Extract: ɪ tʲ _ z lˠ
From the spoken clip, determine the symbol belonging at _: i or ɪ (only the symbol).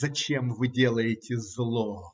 ɪ